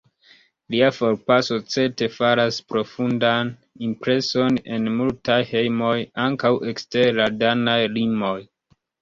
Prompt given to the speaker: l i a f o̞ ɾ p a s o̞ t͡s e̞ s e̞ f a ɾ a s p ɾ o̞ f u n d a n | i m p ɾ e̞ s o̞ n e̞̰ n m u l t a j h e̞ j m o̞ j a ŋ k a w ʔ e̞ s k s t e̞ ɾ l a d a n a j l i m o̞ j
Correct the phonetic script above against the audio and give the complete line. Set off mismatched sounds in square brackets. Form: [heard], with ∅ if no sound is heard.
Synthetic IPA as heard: l i a f o̞ ɾ p a s o̞ t͡s e̞ [t] e̞ f a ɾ a s p ɾ o̞ f u n d a n | i m p ɾ e̞ s o̞ n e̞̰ n m u l t a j h e̞ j m o̞ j a ŋ k a w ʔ e̞ [∅] k s t e̞ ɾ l a d a n a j l i m o̞ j